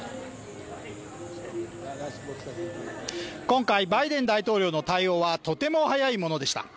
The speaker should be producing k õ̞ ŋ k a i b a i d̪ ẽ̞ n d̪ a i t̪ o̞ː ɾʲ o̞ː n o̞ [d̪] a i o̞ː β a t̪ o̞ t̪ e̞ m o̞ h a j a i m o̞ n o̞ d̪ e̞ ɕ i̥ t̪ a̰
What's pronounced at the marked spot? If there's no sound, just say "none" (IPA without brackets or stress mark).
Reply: t̪